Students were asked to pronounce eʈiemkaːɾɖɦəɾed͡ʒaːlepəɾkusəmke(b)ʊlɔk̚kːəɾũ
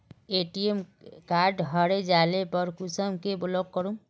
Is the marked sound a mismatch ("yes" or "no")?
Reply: no